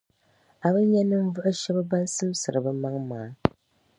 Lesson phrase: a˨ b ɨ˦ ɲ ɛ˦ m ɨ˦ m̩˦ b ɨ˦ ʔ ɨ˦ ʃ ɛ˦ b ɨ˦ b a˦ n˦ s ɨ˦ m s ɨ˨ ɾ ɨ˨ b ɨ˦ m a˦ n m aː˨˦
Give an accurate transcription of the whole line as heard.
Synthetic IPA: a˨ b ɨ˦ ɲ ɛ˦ n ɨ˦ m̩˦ v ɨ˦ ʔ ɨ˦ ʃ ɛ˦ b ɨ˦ b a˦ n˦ s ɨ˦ m s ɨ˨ ɾ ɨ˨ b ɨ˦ m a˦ ŋ m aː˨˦